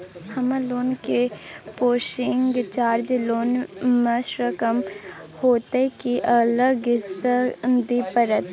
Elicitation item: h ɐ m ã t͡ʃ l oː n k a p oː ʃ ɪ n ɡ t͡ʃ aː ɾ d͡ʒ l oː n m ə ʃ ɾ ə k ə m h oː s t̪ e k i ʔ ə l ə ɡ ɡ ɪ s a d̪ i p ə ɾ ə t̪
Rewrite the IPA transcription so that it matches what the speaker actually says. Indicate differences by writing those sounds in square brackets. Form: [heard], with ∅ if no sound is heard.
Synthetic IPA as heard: h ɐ m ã [∅] l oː n k [e] p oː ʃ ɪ [ŋ] ɡ t͡ʃ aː ɾ d͡ʒ l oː n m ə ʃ ɾ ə k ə m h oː [∅] t̪ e k i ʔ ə l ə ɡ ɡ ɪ s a d̪ i p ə ɾ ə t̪

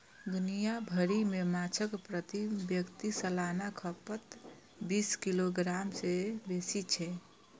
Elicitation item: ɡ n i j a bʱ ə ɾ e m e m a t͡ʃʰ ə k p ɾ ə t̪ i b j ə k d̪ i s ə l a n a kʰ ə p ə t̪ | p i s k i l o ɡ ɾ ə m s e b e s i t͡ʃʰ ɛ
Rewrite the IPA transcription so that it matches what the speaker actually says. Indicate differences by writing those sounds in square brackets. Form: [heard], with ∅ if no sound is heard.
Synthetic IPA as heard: ɡ n i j a bʱ ə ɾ [i] m e m a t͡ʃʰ ə k p ɾ ə t̪ i b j ə k [t̪] i s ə l a n a kʰ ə p ə t̪ | [b] i s k i l o ɡ ɾ [a] m s e b e s i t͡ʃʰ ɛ

